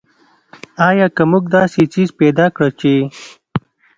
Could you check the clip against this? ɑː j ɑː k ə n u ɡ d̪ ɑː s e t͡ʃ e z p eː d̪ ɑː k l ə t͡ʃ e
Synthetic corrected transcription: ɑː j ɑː k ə m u ɡ d̪ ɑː s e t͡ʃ i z p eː d̪ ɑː k ɽ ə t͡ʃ e

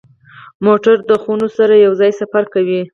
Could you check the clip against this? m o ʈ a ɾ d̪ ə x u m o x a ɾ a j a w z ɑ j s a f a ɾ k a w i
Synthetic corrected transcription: m o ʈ a ɾ d̪ ə x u n o s a ɾ a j a w z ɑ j s a f a ɾ k a w i

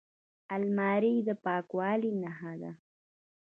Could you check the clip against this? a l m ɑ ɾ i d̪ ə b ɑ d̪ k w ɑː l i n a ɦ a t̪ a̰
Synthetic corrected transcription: a l m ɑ ɾ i d̪ ə p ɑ k w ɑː l i n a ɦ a d̪ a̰

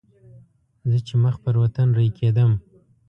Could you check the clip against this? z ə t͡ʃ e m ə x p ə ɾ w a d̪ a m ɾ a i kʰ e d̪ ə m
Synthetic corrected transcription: z ə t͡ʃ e m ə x p ə ɾ w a t̪ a n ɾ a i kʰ e d̪ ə m

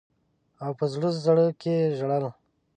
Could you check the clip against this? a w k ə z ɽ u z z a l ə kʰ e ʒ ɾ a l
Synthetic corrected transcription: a w p ə z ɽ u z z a ɽ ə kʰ e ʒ ɽ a l

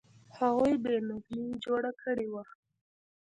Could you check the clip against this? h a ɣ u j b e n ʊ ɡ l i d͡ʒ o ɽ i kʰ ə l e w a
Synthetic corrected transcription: h a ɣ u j b e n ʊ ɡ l i d͡ʒ o ɽ a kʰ ə ɽ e w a

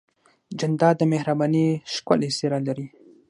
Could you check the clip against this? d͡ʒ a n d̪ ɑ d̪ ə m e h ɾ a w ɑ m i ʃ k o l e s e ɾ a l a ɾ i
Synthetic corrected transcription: d͡ʒ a n d̪ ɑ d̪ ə m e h ɾ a b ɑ n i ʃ k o l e s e ɾ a l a ɾ i

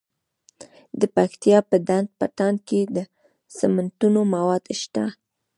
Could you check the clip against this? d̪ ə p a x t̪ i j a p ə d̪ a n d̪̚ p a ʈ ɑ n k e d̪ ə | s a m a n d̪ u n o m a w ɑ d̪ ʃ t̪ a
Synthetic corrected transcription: d̪ ə p a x t̪ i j ɑ p ə d̪ a n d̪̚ p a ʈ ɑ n k e d̪ ə | s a m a n t̪ u n o m a w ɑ d̪ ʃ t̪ a

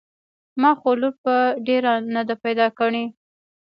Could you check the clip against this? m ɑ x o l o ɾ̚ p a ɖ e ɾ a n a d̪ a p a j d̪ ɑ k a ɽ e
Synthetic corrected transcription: m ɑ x o l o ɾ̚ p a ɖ e ɾ a n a d̪ a p a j d̪ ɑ k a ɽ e

